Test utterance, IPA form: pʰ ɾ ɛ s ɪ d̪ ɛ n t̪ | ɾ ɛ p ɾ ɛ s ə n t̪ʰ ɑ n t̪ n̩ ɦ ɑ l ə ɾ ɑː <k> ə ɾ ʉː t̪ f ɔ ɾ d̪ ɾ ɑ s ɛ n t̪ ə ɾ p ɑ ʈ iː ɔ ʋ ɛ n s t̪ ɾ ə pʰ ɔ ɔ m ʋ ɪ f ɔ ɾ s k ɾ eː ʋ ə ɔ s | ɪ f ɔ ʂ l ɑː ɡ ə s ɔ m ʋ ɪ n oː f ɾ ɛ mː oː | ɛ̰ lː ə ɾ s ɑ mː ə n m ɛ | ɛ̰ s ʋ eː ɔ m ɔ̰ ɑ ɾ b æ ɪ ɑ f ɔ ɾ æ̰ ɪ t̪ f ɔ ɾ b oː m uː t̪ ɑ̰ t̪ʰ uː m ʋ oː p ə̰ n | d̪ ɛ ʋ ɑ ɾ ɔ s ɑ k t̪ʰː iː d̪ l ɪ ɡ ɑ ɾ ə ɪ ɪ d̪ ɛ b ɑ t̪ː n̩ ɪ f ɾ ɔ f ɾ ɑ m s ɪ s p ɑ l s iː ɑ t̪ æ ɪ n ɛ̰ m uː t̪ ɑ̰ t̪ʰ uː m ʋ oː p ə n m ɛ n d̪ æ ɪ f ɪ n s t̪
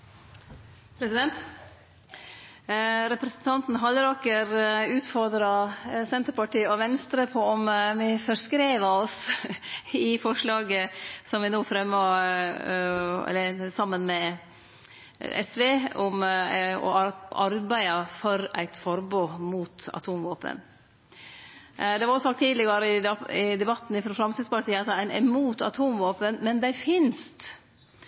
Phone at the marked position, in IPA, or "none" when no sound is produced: k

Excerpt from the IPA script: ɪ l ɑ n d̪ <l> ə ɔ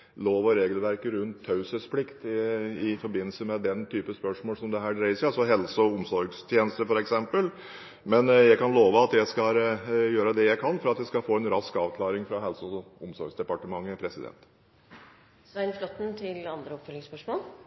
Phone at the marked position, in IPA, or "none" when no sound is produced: ɾ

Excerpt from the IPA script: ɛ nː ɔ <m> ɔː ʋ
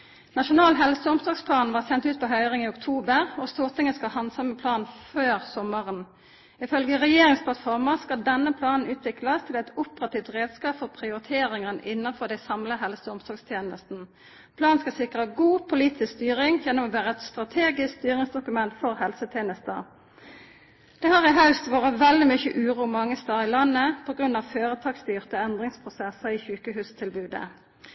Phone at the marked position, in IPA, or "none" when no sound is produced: m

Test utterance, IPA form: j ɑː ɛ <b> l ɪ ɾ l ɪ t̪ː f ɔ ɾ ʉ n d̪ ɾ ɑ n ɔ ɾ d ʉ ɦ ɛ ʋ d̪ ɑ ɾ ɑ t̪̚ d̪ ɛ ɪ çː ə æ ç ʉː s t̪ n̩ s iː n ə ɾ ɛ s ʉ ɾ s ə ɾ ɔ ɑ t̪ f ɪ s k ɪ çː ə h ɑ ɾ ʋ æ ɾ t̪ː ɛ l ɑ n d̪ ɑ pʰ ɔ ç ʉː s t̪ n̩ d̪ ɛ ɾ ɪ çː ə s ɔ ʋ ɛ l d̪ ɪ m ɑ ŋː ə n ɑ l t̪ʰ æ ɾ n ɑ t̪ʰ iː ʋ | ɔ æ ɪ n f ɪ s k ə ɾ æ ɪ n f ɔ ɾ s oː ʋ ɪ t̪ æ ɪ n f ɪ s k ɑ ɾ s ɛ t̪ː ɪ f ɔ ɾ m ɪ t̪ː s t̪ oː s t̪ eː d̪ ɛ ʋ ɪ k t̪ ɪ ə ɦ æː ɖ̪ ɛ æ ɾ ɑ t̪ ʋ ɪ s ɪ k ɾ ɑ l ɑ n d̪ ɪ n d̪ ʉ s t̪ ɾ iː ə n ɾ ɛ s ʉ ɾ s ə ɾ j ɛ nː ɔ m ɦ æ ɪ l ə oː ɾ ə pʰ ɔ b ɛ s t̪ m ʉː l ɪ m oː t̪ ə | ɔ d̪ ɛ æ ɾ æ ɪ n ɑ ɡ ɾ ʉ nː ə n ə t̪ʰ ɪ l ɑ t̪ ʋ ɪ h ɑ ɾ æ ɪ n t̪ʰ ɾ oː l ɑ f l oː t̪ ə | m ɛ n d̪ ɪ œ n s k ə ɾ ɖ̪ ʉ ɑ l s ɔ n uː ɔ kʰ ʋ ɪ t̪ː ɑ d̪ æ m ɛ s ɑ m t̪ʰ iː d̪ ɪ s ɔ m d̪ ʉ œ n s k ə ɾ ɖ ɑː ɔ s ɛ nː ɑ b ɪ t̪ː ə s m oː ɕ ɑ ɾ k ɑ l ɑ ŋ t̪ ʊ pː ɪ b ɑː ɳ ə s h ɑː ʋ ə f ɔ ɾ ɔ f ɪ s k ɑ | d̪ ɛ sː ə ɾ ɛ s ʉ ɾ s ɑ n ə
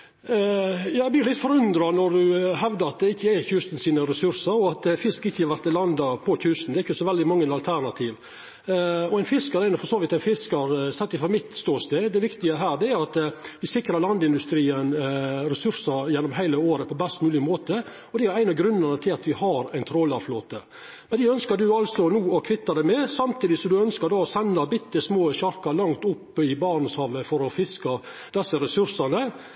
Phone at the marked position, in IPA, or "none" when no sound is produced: b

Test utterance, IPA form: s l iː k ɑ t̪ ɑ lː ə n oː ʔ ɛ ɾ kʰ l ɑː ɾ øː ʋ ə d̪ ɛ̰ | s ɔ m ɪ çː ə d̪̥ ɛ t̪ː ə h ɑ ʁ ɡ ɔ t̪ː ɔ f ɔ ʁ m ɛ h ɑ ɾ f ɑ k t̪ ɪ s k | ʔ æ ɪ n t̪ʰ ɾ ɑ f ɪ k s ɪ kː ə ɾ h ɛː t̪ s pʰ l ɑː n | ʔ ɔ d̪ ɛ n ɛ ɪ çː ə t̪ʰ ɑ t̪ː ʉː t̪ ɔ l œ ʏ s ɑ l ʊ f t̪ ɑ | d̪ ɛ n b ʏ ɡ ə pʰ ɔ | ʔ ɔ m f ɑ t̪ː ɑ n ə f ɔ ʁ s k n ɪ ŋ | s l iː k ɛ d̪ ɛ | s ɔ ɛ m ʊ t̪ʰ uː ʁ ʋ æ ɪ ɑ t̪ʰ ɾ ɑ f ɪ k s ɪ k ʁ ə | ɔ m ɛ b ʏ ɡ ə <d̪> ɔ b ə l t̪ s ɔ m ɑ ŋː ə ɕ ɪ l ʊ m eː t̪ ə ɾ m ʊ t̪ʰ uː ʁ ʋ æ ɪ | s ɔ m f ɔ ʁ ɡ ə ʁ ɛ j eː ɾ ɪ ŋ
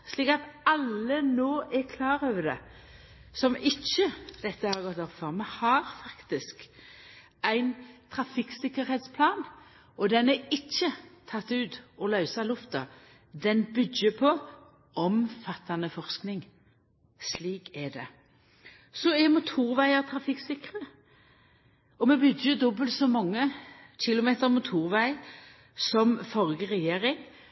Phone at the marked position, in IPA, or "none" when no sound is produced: d̪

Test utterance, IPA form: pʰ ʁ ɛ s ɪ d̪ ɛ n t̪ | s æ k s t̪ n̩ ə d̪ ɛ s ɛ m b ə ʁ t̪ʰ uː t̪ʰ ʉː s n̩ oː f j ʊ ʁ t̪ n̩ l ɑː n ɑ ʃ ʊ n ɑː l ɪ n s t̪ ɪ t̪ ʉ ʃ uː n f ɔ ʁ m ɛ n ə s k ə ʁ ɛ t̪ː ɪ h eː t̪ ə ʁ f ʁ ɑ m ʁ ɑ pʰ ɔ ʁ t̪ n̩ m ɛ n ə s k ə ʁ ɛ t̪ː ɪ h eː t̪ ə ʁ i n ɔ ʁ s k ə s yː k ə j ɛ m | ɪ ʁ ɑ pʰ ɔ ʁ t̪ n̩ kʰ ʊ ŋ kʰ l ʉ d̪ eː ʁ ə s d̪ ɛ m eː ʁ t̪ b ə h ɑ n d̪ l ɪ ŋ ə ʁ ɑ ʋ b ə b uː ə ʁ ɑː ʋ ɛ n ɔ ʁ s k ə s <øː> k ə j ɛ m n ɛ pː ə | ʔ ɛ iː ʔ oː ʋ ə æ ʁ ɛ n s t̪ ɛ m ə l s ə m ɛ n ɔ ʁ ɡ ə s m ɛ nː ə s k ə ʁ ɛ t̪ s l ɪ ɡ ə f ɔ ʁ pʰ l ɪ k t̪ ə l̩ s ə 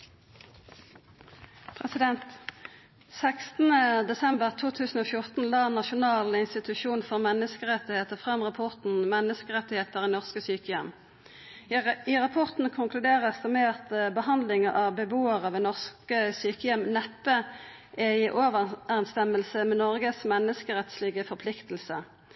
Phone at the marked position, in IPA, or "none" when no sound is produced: yː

